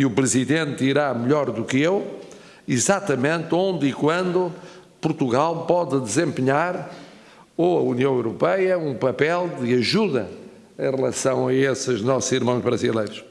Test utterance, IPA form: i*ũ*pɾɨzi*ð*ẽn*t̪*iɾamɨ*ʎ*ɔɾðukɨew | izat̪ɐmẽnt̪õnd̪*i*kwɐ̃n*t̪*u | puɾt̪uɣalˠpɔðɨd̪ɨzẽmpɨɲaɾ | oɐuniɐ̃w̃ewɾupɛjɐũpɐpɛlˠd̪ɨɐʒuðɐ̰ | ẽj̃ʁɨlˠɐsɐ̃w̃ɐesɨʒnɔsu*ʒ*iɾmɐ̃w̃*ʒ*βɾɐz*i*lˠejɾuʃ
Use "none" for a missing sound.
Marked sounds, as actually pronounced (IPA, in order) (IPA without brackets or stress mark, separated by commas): u, ð, t̪, ʎ, i, d̪, z, ʒ, i